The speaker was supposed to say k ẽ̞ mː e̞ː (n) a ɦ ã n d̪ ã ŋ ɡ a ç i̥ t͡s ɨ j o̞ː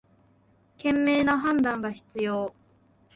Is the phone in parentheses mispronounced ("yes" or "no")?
no